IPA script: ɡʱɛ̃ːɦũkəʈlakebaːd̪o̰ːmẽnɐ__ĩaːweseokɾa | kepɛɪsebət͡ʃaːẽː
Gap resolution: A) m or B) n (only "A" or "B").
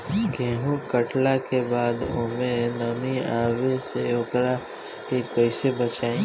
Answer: A